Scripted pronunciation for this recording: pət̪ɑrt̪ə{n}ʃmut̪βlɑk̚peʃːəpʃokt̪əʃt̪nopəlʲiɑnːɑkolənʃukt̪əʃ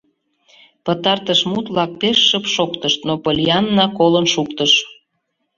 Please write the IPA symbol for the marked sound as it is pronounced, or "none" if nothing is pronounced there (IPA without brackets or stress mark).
none